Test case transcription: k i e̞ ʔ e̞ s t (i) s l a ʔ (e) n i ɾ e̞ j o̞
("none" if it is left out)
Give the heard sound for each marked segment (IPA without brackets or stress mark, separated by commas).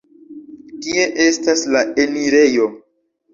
a, e